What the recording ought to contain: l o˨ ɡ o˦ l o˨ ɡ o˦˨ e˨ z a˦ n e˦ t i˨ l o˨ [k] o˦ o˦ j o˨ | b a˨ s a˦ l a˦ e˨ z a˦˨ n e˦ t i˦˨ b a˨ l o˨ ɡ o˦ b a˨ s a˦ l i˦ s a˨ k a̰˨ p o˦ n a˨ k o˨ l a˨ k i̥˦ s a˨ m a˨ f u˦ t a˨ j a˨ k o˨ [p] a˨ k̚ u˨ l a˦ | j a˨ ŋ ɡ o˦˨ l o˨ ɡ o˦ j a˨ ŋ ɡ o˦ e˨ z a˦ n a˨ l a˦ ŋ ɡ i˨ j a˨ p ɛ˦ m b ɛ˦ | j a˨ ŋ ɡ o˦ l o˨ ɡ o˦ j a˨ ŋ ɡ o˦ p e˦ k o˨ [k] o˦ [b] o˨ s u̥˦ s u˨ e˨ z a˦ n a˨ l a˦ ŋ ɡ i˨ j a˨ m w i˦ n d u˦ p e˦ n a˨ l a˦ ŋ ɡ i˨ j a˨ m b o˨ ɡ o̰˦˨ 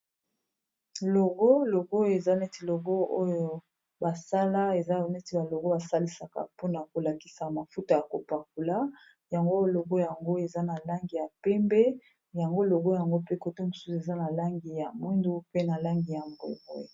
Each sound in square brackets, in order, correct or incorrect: incorrect, correct, incorrect, incorrect

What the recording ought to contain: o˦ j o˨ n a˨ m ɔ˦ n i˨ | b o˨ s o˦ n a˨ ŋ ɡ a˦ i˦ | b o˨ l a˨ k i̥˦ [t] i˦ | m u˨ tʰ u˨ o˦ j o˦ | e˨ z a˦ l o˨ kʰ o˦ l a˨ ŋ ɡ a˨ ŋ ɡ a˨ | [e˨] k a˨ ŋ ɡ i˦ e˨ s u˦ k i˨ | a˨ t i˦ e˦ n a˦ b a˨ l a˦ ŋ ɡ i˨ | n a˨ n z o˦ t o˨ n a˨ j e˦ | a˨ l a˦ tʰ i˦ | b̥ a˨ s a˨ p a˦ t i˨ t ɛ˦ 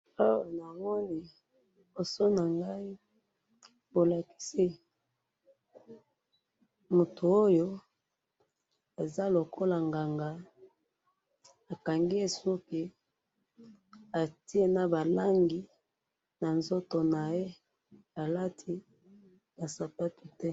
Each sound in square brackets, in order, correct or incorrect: incorrect, incorrect

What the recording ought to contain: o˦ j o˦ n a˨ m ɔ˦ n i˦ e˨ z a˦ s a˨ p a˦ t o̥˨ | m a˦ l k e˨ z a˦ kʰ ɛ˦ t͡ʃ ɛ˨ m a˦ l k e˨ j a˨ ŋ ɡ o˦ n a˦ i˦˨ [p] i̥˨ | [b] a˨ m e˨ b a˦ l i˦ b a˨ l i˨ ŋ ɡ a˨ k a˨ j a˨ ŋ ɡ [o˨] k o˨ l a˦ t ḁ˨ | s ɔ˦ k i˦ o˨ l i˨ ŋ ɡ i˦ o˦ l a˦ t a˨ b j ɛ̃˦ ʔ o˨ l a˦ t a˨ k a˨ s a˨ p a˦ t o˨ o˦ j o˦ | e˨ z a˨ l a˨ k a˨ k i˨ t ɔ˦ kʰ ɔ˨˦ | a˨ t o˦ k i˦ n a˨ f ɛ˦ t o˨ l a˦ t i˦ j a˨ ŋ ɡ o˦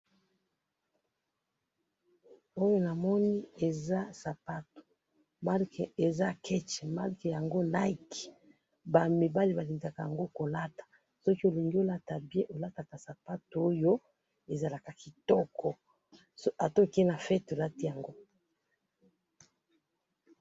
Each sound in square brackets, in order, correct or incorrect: incorrect, correct, incorrect

